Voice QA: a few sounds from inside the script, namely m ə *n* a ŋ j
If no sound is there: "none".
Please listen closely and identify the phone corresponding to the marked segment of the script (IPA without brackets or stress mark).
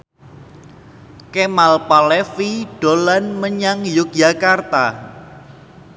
ɲ